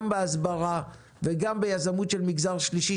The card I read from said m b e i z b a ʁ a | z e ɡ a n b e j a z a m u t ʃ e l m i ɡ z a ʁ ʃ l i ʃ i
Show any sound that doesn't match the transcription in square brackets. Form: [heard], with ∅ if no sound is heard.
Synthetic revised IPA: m b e [a] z b a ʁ a | [v] e ɡ a [m] b e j a z a m u t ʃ e l m i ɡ z a ʁ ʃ l i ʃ i